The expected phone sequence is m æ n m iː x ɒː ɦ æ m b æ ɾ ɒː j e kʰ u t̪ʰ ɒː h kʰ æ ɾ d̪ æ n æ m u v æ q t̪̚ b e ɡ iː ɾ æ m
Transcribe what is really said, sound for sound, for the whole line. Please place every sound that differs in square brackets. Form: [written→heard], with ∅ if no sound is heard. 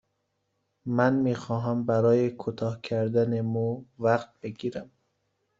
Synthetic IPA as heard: m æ n m iː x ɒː ɦ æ m b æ ɾ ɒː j e kʰ u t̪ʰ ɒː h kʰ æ ɾ d̪ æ n [æ→e] m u v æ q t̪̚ b e ɡ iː ɾ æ m